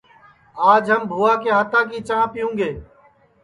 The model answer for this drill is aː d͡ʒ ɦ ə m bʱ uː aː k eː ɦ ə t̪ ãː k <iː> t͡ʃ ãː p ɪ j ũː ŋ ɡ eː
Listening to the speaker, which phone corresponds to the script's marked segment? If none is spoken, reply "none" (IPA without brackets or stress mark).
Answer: iː